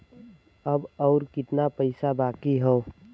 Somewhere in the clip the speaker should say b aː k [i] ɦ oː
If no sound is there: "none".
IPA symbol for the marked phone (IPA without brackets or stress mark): i